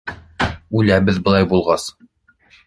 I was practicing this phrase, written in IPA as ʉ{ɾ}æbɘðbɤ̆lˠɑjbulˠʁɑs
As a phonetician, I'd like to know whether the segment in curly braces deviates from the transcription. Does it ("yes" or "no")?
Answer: yes